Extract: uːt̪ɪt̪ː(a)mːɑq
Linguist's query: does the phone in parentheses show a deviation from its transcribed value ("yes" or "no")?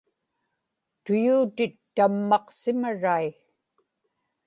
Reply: no